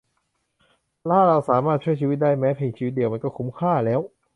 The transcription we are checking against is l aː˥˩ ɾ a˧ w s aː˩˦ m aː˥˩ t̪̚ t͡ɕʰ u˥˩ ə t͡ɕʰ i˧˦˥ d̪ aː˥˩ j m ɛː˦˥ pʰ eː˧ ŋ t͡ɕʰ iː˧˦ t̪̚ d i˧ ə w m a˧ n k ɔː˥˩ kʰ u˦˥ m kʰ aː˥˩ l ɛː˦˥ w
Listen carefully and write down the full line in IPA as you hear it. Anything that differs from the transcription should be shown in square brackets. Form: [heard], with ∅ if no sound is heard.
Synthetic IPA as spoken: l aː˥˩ ɾ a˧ w s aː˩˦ m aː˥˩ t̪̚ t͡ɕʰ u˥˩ ə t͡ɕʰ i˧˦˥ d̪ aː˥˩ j m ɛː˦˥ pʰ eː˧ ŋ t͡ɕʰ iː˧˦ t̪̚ d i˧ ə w m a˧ n k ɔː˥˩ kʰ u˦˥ m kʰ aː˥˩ l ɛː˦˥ w